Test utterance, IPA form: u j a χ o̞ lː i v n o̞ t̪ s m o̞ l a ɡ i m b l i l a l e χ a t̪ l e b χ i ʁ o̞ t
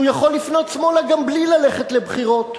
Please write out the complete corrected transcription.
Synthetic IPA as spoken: u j a χ o̞ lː i f n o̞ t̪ s m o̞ l a ɡ a m b l i l a l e χ e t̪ l e b χ i ʁ o̞ t